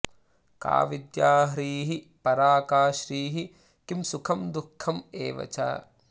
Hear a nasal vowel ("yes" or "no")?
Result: no